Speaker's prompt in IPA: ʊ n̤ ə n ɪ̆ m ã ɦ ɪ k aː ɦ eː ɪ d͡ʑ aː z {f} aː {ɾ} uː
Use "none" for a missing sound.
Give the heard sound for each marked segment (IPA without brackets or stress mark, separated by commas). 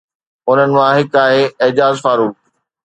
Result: f, ɾ